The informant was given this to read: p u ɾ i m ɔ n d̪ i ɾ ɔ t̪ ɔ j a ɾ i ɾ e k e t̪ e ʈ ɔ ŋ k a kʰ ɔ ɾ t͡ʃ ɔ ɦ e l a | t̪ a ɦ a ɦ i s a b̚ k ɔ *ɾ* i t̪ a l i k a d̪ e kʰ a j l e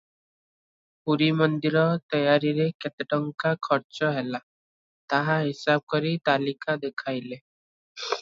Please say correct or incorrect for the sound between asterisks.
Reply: correct